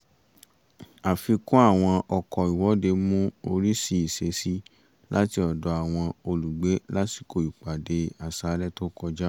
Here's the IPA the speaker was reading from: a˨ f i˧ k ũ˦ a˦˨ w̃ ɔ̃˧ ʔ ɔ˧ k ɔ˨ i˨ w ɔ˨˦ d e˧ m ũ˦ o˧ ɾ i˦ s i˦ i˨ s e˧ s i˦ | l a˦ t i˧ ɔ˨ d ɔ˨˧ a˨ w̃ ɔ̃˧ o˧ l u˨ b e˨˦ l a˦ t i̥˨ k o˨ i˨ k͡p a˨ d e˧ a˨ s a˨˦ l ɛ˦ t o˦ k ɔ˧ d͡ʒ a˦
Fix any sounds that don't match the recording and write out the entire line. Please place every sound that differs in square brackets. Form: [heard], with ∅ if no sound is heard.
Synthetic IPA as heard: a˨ f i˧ k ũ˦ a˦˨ w̃ ɔ̃˧ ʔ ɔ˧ k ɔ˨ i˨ w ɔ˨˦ d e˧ m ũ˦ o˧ ɾ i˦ s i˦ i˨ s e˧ s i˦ | l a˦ t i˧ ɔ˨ d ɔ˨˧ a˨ w̃ ɔ̃˧ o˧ l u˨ [ɡ͡b] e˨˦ l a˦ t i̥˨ k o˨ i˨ k͡p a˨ d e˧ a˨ s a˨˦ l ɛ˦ t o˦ k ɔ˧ d͡ʒ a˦